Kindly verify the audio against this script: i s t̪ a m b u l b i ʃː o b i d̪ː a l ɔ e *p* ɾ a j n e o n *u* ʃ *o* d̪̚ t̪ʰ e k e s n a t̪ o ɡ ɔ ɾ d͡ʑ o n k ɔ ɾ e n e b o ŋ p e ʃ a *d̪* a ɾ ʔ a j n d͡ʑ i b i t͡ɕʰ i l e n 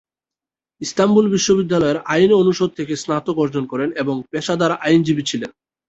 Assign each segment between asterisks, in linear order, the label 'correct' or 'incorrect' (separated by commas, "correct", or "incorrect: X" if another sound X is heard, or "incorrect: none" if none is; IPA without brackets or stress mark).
incorrect: none, correct, correct, correct